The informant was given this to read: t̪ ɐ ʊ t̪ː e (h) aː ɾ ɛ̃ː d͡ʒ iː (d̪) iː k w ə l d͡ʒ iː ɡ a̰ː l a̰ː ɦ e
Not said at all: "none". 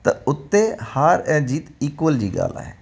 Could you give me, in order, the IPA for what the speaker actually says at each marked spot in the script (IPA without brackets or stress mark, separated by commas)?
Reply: h, t̪